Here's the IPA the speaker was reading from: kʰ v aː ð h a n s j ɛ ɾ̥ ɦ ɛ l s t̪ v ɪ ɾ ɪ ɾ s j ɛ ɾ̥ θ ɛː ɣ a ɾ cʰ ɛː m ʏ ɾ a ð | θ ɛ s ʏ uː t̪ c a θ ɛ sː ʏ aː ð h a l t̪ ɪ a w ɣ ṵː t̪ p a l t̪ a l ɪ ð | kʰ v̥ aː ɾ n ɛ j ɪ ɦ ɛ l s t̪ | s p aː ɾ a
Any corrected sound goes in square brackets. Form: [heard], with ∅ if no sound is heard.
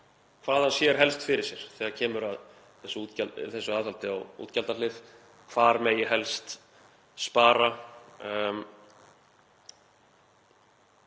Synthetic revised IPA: kʰ v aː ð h a n s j ɛ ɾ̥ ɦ ɛ l s t̪ [f] ɪ ɾ ɪ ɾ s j ɛ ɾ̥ θ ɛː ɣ a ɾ cʰ ɛː m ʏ ɾ a ð | θ ɛ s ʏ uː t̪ c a θ ɛ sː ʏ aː ð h a l t̪ ɪ a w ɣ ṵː t̪ [c] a l t̪ a l ɪ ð | kʰ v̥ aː ɾ [m] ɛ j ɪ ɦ ɛ l s t̪ | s p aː ɾ a